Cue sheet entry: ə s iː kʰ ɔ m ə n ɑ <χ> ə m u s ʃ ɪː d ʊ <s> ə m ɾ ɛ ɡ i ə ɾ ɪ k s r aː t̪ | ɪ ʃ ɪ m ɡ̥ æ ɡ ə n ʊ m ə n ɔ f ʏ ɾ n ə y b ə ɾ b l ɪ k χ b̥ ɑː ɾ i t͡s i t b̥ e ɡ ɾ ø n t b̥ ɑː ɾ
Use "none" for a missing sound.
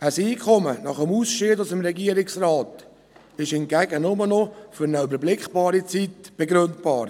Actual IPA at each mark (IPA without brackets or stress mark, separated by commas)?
χ, s